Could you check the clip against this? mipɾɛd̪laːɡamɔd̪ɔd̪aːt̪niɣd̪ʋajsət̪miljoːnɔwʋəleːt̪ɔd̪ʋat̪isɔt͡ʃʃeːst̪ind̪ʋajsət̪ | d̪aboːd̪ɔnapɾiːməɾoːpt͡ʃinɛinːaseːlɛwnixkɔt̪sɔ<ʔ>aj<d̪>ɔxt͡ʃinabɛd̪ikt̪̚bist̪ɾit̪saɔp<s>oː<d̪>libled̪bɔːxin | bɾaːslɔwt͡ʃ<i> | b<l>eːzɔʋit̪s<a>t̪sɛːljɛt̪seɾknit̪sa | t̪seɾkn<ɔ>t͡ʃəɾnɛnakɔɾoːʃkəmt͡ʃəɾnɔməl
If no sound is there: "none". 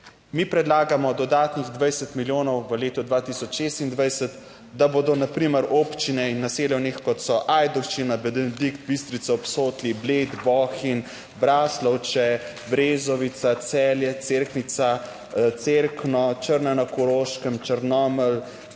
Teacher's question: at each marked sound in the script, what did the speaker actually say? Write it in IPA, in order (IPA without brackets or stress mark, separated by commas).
ʔ, d̪, s, t̪, ɛ, ɾ, a, ɔ